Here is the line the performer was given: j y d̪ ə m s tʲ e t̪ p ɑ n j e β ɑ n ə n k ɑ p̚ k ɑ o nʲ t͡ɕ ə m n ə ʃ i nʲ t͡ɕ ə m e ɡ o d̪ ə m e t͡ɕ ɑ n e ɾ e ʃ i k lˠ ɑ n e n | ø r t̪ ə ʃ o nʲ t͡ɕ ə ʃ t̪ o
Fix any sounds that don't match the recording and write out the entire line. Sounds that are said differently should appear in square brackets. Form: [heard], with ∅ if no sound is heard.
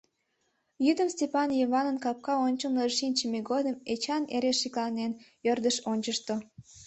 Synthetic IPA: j y d̪ ə m s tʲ e [∅] p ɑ n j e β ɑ n ə n k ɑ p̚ k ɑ o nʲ t͡ɕ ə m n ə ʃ i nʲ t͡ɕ ə m e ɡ o d̪ ə m e t͡ɕ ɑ n e ɾ e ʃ i k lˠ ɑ n e n | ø r [d̪] ə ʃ o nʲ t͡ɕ ə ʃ t̪ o